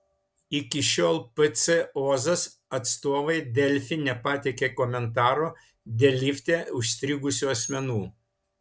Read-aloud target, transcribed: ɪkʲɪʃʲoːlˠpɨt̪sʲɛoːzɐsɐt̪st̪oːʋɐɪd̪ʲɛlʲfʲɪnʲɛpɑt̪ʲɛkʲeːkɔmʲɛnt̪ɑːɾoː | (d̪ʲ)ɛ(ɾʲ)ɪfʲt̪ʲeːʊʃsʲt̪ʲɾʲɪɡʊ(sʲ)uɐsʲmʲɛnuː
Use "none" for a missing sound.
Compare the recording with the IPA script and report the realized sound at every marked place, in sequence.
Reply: d̪ʲ, lʲ, sʲ

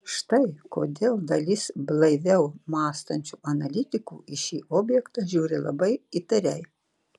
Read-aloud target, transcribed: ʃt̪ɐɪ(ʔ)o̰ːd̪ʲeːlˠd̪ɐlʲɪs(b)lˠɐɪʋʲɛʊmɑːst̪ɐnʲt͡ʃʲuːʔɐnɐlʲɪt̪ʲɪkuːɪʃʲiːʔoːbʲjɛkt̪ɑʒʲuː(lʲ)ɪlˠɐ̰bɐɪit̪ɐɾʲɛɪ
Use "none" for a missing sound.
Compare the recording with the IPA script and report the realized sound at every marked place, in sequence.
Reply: k, b, ɾʲ

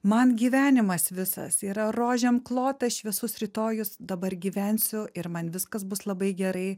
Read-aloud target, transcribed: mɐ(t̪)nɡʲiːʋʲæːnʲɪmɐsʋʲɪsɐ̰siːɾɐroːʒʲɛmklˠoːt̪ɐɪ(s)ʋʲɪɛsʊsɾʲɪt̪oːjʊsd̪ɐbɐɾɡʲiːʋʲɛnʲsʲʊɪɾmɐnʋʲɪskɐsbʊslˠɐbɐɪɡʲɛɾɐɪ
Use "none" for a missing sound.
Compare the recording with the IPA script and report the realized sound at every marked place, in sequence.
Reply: none, ʃ

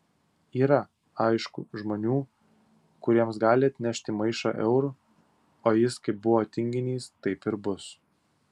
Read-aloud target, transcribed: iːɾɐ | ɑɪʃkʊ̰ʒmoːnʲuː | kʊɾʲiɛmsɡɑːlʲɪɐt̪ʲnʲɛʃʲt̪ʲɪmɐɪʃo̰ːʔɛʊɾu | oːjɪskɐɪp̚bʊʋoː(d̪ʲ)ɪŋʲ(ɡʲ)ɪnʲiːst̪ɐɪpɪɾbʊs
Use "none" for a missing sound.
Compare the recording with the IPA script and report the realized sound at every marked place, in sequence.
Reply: t̪ʲ, ɡʲ

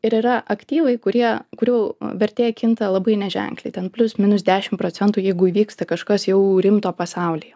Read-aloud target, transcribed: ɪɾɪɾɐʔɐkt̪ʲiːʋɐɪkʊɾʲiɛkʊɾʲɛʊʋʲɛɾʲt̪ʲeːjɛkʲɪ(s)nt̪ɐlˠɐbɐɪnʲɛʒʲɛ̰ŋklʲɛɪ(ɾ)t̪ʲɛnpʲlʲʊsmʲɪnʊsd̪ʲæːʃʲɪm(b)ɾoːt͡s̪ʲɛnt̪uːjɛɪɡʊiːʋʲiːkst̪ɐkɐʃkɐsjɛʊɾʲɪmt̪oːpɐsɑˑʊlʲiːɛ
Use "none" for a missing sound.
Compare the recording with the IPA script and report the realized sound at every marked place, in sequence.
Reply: none, none, p

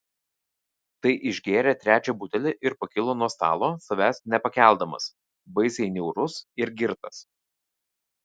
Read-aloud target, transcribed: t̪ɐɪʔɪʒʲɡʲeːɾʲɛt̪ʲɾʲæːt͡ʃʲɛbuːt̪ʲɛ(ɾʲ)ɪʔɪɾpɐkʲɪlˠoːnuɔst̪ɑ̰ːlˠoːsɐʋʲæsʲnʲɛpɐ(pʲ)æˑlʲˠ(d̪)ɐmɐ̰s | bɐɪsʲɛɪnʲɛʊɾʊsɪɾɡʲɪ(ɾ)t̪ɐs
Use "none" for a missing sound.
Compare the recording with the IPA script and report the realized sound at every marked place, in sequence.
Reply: lʲ, kʲ, d̪, ɾ

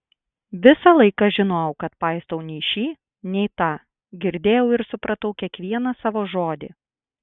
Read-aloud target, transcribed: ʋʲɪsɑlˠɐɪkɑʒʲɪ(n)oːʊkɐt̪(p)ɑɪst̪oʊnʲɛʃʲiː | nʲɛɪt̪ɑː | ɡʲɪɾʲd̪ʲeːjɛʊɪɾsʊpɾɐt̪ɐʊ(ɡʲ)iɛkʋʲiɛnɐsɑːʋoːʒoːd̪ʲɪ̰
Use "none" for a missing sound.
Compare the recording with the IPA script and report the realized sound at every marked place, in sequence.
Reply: n, p, kʲ

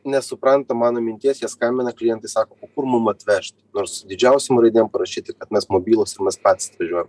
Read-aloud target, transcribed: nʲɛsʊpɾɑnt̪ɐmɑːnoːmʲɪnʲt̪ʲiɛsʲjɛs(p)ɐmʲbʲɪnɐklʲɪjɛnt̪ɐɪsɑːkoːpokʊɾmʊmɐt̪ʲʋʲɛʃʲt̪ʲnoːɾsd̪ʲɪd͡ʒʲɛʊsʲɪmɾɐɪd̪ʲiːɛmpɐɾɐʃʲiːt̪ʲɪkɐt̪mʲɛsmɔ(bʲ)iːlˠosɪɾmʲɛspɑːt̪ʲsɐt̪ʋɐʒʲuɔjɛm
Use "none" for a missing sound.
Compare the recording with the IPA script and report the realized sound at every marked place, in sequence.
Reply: k, bʲ

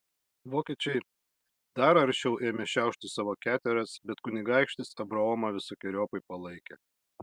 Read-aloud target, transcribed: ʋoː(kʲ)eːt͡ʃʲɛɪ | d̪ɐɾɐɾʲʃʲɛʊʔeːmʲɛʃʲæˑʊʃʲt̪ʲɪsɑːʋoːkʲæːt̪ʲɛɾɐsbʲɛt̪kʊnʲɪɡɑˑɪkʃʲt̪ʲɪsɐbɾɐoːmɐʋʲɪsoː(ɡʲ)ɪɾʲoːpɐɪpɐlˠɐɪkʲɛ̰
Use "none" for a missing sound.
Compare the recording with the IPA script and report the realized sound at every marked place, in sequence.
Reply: kʲ, kʲ

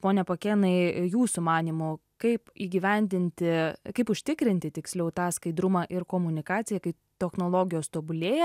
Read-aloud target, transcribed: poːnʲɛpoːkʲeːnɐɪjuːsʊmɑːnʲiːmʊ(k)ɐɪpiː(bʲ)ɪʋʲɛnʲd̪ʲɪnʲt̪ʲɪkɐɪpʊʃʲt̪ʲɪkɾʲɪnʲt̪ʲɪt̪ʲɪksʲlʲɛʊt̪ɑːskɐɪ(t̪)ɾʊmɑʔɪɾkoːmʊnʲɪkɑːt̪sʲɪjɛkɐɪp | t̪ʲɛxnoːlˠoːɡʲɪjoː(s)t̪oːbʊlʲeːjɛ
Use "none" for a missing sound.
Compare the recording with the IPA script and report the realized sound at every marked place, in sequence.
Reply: k, ɡʲ, d̪, s

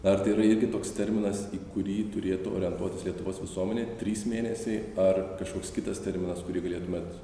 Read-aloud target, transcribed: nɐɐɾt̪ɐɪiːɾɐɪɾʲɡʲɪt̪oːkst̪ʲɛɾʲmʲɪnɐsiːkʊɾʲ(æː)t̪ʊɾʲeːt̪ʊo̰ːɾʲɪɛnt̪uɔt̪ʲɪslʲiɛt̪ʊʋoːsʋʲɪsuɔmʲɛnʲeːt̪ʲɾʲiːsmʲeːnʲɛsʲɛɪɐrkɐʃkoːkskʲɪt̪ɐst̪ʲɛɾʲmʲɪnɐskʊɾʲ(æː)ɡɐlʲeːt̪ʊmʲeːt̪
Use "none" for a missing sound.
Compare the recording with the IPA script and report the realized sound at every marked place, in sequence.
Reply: iː, iː

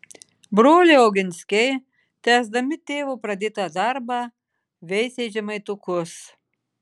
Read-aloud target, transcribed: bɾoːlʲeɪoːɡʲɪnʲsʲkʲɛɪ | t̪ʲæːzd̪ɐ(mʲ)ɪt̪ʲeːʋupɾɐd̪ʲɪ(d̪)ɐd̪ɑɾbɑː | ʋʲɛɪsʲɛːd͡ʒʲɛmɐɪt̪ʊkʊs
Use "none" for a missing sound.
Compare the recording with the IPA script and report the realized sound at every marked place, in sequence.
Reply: mʲ, t̪

